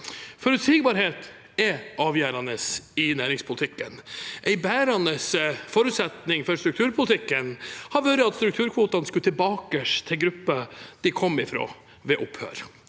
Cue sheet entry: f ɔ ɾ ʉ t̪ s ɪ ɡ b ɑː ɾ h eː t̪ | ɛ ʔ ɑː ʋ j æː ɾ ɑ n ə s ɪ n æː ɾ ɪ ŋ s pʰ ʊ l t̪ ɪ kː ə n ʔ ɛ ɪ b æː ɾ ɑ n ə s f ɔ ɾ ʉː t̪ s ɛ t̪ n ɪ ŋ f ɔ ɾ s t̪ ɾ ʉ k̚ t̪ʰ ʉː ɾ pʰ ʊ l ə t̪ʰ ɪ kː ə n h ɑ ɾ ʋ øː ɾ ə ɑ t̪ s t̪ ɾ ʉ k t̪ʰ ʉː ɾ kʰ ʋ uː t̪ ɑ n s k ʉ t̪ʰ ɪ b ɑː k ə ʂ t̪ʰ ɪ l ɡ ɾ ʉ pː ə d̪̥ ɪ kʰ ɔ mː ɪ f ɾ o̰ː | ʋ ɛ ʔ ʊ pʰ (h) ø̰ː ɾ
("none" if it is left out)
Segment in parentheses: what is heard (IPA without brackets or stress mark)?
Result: h